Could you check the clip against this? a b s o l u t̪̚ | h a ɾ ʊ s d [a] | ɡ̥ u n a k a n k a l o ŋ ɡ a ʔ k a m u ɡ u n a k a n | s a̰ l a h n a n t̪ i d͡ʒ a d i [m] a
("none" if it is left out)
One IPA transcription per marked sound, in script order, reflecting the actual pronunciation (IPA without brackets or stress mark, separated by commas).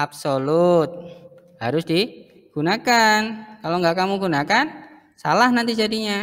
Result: i, ɲ